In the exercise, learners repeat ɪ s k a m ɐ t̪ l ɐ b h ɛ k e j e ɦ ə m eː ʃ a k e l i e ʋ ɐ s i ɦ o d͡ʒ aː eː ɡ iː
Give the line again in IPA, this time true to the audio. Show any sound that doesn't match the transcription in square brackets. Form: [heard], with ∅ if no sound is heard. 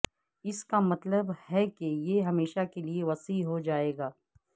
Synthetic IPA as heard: ɪ s k a m ɐ t̪ l [ə] b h ɛ k e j e ɦ [ɐ] m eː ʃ a k e l i e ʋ ɐ s i ɦ o d͡ʒ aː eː ɡ [aː]